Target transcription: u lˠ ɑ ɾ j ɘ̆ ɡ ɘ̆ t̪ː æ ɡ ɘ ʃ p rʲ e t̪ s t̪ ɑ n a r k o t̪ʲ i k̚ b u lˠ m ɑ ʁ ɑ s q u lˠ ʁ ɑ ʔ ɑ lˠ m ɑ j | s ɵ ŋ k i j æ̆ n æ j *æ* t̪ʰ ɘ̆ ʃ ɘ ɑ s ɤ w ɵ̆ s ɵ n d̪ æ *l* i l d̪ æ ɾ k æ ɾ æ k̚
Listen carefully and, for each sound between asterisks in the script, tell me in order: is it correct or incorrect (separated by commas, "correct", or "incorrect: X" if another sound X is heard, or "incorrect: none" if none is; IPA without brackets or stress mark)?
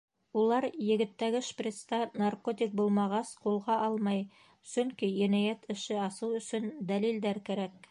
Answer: correct, correct